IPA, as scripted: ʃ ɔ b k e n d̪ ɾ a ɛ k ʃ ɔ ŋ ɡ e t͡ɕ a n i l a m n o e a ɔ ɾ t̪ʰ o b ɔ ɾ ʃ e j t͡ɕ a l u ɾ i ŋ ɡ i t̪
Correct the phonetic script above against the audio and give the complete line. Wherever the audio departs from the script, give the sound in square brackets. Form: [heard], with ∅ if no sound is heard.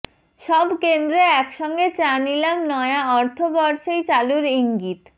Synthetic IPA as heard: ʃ ɔ b k e n d̪ ɾ [e] ɛ k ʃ ɔ ŋ ɡ e t͡ɕ a n i l a m n [ɔ] e a ɔ ɾ t̪ʰ o b ɔ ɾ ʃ e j t͡ɕ a l u ɾ i ŋ ɡ i t̪

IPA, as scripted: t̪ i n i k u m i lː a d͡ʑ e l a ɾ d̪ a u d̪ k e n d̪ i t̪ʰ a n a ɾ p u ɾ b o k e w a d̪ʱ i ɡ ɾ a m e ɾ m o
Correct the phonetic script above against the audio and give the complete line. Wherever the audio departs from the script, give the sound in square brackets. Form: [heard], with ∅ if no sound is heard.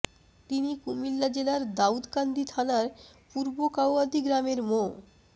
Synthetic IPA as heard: t̪ i n i k u m i lː a d͡ʑ e l a ɾ d̪ a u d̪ k [a] n d̪ i t̪ʰ a n a ɾ p u ɾ b o k [a] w a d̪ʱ i ɡ ɾ a m e ɾ m o

